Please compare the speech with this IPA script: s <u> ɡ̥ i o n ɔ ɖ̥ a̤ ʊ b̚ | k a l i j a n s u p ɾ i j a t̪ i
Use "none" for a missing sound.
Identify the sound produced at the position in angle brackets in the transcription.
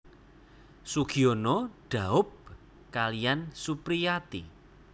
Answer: u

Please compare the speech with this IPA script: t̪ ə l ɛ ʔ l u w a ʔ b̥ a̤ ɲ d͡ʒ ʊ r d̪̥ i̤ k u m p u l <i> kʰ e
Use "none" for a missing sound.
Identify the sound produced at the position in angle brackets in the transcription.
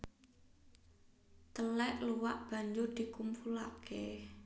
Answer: a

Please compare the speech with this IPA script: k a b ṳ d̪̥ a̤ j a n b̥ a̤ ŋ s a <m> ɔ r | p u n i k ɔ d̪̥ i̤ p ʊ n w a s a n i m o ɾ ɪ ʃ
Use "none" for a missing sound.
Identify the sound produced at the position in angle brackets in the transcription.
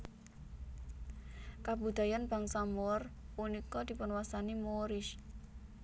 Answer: m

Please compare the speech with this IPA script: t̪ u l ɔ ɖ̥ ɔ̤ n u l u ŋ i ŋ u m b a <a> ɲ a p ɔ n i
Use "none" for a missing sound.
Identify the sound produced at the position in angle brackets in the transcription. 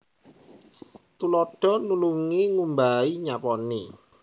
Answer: i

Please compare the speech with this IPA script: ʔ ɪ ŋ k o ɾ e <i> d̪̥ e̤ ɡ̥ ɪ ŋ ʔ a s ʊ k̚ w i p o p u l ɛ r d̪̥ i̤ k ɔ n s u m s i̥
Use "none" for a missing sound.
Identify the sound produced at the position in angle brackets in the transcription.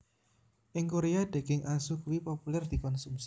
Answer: a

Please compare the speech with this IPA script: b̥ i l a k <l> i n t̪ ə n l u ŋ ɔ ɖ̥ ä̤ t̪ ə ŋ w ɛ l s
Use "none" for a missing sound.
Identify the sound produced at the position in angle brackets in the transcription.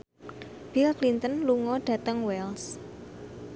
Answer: l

